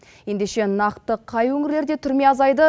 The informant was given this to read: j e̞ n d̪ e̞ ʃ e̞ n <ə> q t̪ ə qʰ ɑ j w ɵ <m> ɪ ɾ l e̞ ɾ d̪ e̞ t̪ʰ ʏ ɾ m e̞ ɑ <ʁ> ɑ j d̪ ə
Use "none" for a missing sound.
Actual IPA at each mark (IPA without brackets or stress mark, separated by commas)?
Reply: ɑ, ŋ, z